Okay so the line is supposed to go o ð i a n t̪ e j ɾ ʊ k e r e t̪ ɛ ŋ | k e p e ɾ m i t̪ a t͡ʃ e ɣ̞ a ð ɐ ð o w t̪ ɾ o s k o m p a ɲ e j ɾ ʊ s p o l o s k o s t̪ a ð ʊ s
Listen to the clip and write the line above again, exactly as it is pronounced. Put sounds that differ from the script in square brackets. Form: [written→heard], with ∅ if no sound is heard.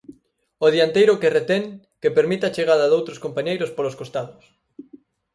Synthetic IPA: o ð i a n t̪ e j ɾ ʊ k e r e t̪ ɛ ŋ | k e p e ɾ m i t̪ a t͡ʃ e ɣ̞ a ð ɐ ð o w t̪ ɾ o s k o m p a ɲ e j ɾ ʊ s p o l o s k o s t̪ a ð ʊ s

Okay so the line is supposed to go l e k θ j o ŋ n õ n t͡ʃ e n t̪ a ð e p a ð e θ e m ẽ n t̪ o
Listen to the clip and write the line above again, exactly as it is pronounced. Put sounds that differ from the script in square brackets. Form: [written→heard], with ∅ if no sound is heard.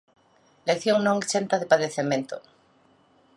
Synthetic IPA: l e k θ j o ŋ n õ [n→ŋ] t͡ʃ e n t̪ a ð e p a ð e θ e m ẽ n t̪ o

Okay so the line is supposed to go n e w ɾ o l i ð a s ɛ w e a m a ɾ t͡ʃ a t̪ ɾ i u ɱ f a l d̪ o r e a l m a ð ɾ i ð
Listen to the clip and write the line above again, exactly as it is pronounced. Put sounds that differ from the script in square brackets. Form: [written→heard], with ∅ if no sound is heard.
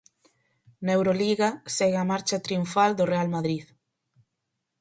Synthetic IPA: n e w ɾ o l i [ð→ɣ] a s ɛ [w→ɣ] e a m a ɾ t͡ʃ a t̪ ɾ i u ɱ f a l d̪ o r e a l m a ð ɾ i ð

